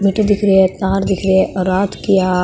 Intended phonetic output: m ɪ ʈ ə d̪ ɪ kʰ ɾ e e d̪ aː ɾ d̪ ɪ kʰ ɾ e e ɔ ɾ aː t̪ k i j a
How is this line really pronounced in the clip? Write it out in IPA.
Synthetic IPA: m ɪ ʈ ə d̪ ɪ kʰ ɾ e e t̪ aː ɾ d̪ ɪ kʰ ɾ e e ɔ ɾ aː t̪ k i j a